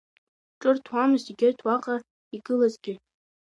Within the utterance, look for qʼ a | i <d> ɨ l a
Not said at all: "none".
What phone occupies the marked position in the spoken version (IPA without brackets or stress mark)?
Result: ɡ